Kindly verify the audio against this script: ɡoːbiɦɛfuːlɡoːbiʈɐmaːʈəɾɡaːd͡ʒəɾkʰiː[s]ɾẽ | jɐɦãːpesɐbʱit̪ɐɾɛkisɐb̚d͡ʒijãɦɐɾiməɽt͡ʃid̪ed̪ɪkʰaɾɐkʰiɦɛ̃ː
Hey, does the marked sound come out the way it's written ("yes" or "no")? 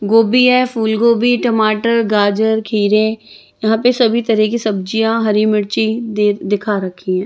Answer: no